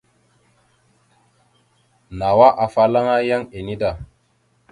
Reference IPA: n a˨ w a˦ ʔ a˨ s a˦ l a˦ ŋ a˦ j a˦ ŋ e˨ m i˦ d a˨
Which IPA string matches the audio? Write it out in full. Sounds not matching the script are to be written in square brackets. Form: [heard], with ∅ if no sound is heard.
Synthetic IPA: n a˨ w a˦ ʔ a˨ [f] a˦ l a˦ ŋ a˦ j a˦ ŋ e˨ [n] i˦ d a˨